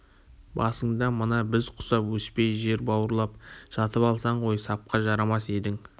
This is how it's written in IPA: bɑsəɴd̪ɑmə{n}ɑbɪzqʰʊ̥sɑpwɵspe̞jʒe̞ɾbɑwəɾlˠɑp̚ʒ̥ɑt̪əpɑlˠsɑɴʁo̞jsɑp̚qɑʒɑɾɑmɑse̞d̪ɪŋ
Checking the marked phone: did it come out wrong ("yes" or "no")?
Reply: no